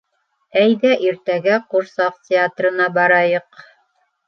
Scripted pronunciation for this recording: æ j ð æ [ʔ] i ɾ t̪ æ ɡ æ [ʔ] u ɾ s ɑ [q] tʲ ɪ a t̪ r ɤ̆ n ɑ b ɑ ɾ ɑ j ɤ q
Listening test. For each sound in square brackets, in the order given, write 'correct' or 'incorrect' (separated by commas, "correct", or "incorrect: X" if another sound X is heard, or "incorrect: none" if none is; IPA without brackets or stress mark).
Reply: correct, incorrect: q, correct